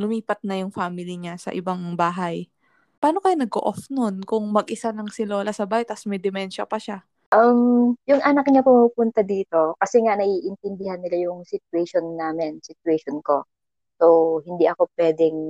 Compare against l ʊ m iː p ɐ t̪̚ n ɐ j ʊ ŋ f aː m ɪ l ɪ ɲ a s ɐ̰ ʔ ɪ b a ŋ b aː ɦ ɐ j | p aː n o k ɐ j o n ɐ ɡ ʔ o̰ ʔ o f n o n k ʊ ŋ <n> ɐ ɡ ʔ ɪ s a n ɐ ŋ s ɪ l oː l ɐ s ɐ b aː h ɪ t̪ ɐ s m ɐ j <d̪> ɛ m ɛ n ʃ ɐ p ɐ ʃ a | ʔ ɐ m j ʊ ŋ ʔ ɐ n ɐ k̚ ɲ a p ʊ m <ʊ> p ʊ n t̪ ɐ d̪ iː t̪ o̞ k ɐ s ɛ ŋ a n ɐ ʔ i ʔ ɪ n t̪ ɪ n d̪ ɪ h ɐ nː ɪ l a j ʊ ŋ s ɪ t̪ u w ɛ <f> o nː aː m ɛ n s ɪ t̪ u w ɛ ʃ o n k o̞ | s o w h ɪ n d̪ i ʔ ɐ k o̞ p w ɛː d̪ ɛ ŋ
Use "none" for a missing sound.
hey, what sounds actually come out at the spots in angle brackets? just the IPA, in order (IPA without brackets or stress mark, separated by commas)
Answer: m, d̪, u, ʃ